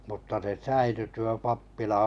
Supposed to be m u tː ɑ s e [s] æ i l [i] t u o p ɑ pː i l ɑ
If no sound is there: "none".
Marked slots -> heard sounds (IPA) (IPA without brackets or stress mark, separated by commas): s, y